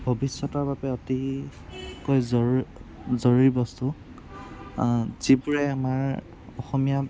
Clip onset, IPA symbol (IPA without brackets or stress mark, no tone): bʱ